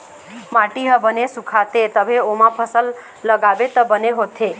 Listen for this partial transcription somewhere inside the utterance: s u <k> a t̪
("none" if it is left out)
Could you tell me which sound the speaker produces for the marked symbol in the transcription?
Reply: kʰ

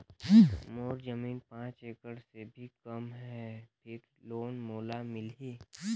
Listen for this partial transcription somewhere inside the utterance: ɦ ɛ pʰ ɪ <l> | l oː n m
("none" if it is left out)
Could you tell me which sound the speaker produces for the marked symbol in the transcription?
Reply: ɾ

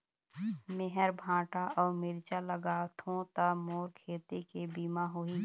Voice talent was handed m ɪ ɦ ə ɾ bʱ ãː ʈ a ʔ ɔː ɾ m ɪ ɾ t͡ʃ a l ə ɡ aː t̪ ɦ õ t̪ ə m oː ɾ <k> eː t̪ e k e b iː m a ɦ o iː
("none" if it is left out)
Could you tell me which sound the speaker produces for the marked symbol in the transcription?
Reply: kʰ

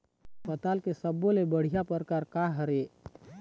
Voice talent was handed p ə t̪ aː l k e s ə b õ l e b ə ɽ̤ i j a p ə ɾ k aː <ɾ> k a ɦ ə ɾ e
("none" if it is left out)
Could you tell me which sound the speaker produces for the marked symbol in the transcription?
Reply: ɾ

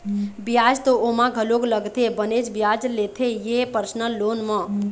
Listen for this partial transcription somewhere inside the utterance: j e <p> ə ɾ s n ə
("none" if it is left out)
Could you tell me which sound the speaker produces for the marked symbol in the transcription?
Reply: p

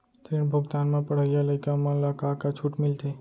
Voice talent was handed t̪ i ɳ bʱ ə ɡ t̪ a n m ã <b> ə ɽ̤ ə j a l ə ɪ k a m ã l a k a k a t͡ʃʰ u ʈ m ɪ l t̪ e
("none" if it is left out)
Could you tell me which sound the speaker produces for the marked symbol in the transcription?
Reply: p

